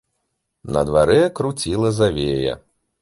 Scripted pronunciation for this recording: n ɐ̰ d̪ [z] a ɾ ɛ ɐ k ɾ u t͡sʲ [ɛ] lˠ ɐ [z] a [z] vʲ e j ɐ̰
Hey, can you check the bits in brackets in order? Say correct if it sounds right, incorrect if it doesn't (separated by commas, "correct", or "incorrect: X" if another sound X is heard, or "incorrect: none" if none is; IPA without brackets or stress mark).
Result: incorrect: v, incorrect: i, correct, incorrect: none